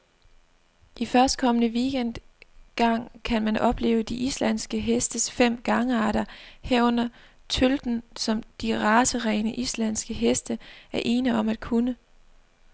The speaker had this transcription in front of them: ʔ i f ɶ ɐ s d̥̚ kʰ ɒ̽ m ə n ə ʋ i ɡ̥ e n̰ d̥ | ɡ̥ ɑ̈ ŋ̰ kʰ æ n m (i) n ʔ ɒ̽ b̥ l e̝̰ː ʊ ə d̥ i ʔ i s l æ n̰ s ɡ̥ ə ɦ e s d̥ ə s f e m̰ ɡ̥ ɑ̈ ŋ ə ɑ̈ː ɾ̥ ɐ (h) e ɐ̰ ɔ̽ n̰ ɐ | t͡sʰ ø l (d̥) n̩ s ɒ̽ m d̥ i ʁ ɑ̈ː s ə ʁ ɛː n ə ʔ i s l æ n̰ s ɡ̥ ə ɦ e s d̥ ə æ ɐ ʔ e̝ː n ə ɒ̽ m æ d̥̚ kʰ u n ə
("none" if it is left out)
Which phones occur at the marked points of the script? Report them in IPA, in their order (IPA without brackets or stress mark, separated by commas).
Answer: æ, h, d̥